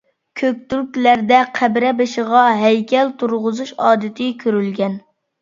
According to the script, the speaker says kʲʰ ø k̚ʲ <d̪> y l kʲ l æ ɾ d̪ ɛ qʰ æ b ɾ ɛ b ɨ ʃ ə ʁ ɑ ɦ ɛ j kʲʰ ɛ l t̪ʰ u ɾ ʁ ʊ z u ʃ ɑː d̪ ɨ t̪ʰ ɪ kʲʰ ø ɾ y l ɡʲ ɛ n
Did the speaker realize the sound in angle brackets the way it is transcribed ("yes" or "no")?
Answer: no